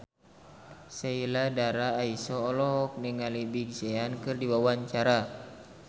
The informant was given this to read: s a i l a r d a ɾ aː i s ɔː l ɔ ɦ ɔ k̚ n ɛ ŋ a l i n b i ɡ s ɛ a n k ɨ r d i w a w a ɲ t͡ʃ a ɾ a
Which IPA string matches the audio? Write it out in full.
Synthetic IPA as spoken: s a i l a d a ɾ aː i s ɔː l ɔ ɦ ɔ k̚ n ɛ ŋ a l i b i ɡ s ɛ a n k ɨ r d i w a w a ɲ t͡ʃ a ɾ a